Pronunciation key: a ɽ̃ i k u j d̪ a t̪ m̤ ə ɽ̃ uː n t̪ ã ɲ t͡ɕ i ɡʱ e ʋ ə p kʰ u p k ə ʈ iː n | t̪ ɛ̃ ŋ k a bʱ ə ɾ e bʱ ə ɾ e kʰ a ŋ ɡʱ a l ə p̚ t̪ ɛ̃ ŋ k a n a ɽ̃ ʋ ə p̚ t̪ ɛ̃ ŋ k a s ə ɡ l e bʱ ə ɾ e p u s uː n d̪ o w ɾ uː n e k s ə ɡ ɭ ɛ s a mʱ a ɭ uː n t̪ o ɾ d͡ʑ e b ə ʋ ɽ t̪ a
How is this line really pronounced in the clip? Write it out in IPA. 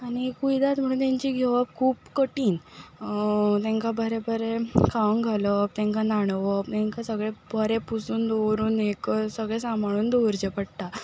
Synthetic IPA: a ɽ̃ i k u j d̪ a t̪ m̤ ə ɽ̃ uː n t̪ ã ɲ t͡ɕ i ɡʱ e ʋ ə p kʰ uː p k ə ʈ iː n | t̪ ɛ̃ ŋ k a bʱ ə ɾ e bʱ ə ɾ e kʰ a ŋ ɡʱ a l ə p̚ t̪ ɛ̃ ŋ k a n a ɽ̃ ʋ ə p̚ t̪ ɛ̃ ŋ k a s ə ɡ ɭ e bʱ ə ɾ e p u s uː n d̪ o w ɾ uː n e k s ə ɡ ɭ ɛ s a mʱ a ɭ uː n d̪ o ɾ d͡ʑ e p ə ɽ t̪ a